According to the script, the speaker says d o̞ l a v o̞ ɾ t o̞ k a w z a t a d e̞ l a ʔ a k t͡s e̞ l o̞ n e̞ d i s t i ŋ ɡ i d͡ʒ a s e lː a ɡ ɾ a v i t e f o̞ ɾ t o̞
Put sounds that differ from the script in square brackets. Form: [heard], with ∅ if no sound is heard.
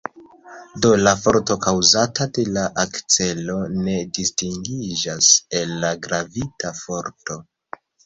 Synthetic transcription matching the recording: d o̞ l a [f] o̞ ɾ t o̞ k a w z a t a d e̞ l a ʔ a k t͡s e̞ l o̞ n e̞ d i s t i ŋ ɡ i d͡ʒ a s e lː a ɡ ɾ a v i t [a] f o̞ ɾ t o̞